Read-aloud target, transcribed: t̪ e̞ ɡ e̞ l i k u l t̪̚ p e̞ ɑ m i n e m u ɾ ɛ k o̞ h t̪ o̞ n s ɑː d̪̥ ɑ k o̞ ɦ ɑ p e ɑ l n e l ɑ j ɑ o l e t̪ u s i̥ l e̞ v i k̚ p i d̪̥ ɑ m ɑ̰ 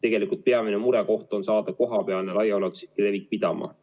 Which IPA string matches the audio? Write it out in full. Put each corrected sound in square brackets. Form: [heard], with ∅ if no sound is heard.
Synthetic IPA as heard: t̪ e̞ ɡ e̞ l i k u l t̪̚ p e̞ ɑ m i n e m u ɾ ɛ k o̞ h t̪ o̞ n s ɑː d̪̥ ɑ k o̞ ɦ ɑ p e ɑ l n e l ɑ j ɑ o l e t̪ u s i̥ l e̞ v i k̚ p i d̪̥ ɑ m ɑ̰